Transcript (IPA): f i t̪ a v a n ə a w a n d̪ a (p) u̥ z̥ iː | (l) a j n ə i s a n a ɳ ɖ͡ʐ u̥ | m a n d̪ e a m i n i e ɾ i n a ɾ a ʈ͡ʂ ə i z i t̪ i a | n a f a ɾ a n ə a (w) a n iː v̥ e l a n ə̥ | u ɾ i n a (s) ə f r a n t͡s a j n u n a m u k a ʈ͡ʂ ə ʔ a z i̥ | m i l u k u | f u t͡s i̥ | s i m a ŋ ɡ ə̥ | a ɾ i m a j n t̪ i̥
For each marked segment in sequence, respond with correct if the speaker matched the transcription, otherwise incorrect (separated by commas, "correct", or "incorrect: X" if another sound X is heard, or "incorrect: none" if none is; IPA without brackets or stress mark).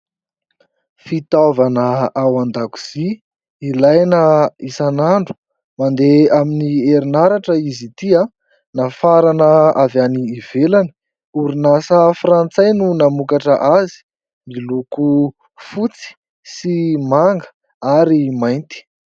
incorrect: k, correct, incorrect: v, correct